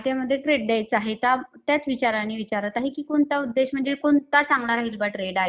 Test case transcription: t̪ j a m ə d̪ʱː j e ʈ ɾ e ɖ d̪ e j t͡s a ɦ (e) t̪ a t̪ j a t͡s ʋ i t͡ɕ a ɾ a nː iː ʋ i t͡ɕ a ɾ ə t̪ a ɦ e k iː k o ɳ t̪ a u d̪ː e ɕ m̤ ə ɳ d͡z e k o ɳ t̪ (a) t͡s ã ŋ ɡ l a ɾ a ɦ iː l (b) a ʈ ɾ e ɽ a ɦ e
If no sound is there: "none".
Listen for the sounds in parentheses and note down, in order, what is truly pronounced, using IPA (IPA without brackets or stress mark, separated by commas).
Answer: e, a, b